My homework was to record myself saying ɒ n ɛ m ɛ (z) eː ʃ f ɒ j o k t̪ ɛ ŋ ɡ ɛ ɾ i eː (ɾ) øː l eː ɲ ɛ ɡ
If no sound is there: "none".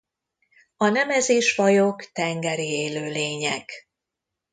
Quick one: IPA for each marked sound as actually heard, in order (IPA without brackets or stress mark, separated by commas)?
z, l